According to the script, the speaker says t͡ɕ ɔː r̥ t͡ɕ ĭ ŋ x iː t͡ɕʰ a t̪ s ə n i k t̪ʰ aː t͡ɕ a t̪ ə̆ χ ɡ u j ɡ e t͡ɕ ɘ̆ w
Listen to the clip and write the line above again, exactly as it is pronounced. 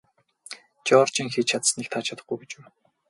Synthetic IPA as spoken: t͡ɕ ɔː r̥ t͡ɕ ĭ ŋ x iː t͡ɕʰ a t̪ s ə n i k t̪ʰ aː t͡ɕʰ a t̪ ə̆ χ ɡ u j ɡ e t͡ɕ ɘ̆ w